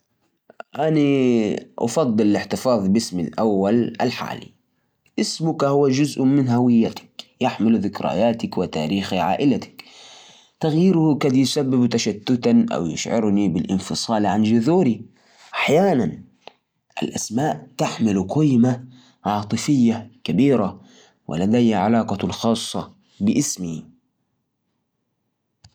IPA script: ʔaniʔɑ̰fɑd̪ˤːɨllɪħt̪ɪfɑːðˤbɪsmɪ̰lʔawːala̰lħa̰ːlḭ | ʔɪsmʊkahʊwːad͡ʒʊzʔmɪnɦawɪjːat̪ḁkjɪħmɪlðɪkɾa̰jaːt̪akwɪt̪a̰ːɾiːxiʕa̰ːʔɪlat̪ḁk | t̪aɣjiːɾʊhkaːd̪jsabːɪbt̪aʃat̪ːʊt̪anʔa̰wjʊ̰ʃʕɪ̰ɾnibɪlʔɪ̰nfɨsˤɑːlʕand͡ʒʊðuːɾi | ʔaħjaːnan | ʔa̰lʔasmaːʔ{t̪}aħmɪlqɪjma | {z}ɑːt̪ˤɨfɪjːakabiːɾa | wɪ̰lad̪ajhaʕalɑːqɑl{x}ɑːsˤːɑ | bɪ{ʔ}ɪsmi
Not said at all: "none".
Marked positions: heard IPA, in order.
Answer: t̪, ʕ, x, ʔ

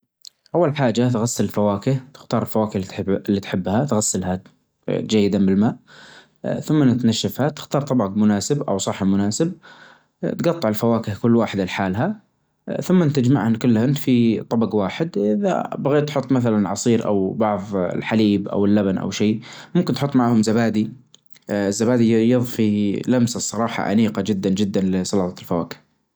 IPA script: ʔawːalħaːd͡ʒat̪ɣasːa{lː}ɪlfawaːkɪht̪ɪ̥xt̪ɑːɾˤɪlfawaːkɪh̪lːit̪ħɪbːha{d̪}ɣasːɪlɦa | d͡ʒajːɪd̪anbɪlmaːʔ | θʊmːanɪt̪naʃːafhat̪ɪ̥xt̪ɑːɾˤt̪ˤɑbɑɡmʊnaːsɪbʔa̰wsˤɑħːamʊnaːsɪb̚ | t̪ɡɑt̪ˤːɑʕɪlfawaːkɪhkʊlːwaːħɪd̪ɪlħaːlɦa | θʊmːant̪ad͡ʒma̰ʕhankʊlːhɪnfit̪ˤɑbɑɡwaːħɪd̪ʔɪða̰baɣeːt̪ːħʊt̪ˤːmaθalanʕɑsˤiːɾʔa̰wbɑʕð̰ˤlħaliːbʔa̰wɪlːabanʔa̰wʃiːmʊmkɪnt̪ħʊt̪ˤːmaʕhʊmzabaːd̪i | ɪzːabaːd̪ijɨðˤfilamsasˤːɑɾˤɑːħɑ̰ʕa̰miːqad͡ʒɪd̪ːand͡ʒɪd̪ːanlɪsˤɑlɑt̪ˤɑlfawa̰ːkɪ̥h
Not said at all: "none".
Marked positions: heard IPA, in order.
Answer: l, t̪

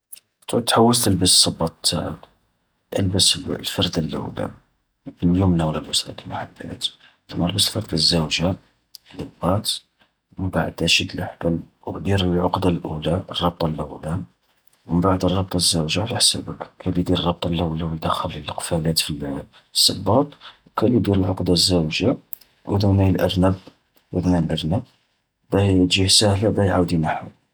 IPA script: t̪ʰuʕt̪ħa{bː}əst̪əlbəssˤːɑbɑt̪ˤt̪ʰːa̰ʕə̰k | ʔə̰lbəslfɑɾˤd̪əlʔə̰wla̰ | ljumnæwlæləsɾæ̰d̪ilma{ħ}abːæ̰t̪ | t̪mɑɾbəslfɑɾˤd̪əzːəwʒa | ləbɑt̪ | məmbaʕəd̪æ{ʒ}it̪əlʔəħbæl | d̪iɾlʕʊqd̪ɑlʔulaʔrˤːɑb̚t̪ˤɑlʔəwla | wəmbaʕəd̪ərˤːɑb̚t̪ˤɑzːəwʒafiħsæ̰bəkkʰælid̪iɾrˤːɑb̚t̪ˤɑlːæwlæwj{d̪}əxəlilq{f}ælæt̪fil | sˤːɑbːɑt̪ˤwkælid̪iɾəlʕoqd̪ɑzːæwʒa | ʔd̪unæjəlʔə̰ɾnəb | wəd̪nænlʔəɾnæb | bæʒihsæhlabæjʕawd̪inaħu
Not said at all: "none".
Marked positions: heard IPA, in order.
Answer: wː, ħ, ʃ, d̪, f

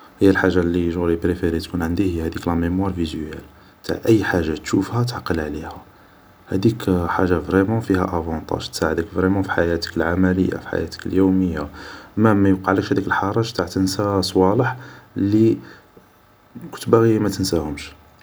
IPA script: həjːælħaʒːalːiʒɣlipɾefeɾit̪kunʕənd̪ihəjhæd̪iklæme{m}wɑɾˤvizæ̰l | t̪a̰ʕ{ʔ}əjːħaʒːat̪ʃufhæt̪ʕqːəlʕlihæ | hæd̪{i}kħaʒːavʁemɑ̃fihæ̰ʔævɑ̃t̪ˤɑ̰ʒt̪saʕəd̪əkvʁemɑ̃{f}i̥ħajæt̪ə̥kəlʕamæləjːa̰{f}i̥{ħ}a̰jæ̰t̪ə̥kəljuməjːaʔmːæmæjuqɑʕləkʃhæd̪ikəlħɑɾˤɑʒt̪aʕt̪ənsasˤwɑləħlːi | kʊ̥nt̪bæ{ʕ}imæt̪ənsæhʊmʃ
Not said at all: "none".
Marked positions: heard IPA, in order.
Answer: m, ʔ, i, f, f, ħ, ɣ

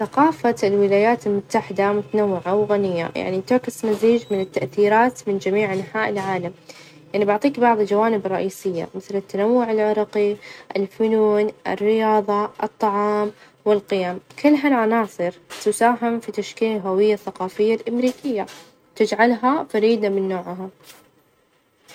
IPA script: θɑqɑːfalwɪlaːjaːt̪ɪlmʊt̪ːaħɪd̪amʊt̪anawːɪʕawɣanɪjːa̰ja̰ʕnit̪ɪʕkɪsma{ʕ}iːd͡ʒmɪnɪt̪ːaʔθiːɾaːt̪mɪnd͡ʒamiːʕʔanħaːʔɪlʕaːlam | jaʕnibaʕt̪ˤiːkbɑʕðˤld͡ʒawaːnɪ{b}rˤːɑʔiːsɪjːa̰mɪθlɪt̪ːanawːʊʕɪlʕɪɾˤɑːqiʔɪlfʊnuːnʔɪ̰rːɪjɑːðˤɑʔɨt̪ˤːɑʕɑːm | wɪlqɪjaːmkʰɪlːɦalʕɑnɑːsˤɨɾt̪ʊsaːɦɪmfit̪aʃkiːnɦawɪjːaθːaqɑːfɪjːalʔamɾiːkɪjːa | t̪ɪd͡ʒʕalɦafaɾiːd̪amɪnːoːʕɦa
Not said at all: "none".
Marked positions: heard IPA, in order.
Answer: z, b

